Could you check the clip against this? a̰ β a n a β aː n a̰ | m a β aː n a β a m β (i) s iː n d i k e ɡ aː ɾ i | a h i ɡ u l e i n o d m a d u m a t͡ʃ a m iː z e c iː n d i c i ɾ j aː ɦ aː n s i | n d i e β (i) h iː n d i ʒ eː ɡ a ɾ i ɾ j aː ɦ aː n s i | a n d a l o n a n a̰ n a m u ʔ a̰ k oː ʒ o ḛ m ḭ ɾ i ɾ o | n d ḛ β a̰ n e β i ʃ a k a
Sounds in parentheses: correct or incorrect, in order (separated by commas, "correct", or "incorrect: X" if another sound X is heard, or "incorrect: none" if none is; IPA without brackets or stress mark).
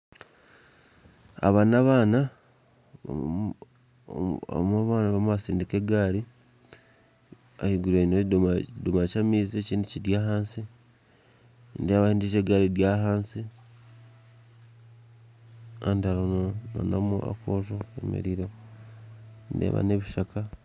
incorrect: a, incorrect: a